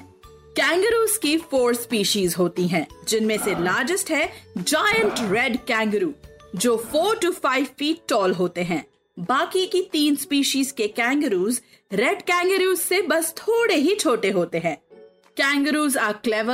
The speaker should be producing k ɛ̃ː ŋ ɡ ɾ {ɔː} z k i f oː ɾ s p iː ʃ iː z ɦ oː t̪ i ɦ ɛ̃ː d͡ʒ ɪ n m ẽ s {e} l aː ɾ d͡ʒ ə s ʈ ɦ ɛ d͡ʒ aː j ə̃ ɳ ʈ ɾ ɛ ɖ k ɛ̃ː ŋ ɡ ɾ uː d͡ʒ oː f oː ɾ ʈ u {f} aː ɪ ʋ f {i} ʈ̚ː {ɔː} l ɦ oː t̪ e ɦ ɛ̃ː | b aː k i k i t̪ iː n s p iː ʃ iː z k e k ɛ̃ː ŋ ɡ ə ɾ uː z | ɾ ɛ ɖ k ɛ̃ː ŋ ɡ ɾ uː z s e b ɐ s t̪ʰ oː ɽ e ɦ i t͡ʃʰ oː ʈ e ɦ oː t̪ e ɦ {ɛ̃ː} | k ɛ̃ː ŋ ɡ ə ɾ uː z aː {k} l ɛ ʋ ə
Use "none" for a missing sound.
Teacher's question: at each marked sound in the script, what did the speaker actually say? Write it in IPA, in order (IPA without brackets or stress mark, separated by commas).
uː, e, f, iː, ɔː, ɛ̃ː, k